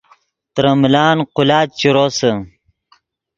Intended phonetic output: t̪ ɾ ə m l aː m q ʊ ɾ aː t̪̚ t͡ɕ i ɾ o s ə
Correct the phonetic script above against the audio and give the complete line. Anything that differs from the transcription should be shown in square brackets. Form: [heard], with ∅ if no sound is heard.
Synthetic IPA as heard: t̪ ɾ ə m l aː [n] q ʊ [l] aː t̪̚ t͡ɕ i ɾ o s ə

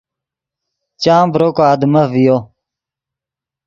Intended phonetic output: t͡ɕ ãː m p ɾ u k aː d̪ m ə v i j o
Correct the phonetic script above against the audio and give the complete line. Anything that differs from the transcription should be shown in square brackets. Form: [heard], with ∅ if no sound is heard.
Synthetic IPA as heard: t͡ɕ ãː m [b] ɾ [o] k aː d̪ m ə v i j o

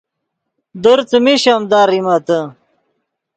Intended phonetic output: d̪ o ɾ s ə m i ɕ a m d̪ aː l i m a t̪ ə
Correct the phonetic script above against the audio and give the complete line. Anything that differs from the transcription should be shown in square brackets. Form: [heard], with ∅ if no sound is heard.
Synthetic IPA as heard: d̪ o ɾ [t͡s] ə m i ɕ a m d̪ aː [ɾ] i m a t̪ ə

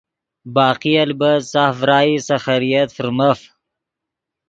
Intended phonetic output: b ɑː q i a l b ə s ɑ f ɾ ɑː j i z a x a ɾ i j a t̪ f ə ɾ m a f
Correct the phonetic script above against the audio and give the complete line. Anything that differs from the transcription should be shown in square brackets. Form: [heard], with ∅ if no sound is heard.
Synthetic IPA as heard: b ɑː q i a l b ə s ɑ f ɾ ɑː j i [s] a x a ɾ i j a t̪ f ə ɾ m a f

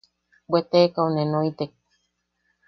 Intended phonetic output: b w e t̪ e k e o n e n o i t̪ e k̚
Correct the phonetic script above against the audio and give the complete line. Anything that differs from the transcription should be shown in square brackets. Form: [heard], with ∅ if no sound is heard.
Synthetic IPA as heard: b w e t̪ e k [a] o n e n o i t̪ e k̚

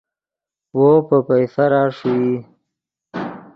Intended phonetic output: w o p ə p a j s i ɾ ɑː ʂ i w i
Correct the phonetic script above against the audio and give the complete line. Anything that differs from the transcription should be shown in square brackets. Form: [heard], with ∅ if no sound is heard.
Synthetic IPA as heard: w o p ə p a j s [a] ɾ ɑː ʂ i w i

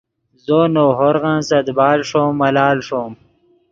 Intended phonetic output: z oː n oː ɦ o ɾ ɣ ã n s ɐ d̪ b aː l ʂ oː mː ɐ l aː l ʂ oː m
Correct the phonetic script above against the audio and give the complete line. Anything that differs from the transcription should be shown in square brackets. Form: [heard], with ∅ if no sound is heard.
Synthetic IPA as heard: z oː n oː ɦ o ɾ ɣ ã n s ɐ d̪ b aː l ʂ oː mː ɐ l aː l ʂ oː m

